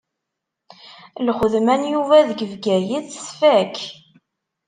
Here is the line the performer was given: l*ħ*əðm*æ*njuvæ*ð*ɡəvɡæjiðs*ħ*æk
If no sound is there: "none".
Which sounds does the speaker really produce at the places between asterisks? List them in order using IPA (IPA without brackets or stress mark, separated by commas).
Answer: χ, æ, ð, f